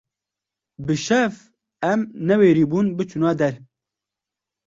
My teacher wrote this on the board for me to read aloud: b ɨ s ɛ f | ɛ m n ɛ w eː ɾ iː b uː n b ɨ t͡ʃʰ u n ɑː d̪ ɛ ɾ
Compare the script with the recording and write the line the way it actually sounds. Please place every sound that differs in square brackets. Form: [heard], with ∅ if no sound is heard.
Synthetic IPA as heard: b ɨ [ʃ] ɛ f | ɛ m n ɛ w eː ɾ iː b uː n b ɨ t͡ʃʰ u n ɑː d̪ ɛ ɾ